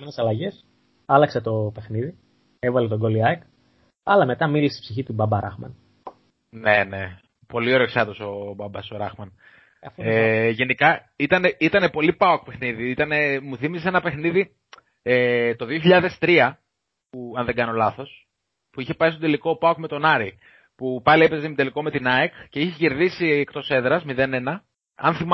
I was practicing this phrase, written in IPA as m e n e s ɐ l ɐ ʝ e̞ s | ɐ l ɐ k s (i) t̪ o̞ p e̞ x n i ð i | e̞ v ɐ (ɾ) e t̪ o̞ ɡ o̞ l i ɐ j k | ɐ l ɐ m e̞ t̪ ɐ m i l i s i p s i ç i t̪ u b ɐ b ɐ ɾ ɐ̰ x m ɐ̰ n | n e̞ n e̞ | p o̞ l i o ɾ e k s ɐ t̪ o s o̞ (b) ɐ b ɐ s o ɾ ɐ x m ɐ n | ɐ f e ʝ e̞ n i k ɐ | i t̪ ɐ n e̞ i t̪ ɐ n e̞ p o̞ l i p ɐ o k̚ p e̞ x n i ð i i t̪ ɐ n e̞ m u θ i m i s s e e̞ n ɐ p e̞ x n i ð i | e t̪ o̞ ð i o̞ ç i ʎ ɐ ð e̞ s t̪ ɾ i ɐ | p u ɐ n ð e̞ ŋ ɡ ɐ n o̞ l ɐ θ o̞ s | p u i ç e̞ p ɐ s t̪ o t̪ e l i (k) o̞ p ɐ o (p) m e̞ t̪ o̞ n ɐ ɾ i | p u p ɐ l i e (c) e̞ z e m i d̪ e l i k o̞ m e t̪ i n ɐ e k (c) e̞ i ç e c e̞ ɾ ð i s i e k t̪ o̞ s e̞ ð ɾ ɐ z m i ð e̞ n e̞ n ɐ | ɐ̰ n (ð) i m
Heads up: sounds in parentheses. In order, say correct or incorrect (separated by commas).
incorrect, incorrect, correct, correct, incorrect, incorrect, correct, incorrect